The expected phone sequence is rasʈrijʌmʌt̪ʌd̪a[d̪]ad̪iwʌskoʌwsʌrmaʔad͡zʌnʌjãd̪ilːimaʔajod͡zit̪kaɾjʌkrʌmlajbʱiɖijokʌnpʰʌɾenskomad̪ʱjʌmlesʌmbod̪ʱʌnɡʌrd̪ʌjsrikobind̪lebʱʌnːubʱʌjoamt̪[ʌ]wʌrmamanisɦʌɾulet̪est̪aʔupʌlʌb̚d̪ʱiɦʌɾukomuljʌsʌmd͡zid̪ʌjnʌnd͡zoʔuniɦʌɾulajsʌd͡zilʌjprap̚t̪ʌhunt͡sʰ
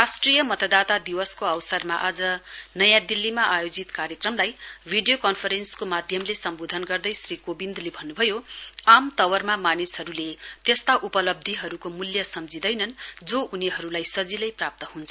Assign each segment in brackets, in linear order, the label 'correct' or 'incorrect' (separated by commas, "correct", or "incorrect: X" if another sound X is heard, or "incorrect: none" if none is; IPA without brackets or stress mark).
incorrect: t̪, correct